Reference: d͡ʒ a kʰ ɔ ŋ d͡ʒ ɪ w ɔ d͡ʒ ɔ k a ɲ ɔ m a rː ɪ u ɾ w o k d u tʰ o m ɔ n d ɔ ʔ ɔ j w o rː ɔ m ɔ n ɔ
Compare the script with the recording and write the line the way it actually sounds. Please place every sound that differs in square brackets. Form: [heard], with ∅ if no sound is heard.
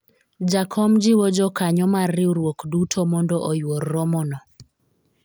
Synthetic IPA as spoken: d͡ʒ a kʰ ɔ [m] d͡ʒ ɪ w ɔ d͡ʒ ɔ k a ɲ ɔ m a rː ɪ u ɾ w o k d u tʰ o m ɔ n d ɔ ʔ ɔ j w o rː ɔ m ɔ n ɔ